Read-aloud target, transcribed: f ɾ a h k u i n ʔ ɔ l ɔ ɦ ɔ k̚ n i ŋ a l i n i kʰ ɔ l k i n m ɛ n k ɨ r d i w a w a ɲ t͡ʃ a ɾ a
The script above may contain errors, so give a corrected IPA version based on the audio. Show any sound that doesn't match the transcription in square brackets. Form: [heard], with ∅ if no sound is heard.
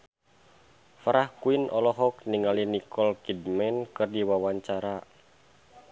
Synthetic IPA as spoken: f ɾ a h k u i n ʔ ɔ l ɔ ɦ ɔ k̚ n i ŋ a l i n i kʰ ɔ l k i [d] m ɛ n k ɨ r d i w a w a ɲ t͡ʃ a ɾ a